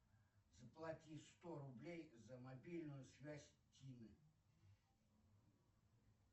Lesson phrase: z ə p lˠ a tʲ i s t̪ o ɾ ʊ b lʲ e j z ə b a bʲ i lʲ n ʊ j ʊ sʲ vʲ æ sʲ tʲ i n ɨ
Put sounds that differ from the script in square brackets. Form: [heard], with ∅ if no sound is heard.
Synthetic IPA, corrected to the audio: z ə p lˠ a tʲ i s t̪ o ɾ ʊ b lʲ e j z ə [m] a bʲ i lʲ n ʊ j ʊ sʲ vʲ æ sʲ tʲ i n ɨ